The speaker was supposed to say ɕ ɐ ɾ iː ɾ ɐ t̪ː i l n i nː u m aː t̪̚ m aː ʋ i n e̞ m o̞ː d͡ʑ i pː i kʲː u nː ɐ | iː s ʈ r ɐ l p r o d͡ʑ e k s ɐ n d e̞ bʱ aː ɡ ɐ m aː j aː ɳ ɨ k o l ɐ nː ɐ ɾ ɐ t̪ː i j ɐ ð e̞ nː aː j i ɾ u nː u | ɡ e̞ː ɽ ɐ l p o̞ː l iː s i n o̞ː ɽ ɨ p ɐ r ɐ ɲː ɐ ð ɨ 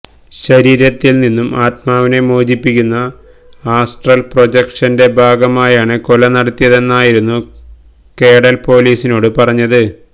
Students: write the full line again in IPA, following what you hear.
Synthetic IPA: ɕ ɐ ɾ iː ɾ ɐ t̪ː i l n i nː u m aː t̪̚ m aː ʋ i n e̞ m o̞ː d͡ʑ i pː i kʲː u nː ɐ | aː s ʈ r ɐ l p r o d͡ʑ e k ʂ ɐ n d e̞ bʱ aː ɡ ɐ m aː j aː ɳ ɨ k o l ɐ n ɐ ɽ ɐ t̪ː i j ɐ ð e̞ nː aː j i ɾ u nː u | k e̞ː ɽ ɐ l p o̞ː l iː s i n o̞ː ɽ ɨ p ɐ r ɐ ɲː ɐ ð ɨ